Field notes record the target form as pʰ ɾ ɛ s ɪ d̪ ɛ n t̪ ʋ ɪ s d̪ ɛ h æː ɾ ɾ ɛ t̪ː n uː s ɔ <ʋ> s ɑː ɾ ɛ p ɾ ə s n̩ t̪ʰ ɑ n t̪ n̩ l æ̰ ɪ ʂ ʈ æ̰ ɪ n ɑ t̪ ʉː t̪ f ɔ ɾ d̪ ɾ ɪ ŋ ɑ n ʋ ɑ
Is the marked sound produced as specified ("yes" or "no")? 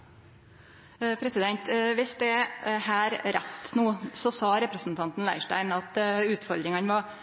no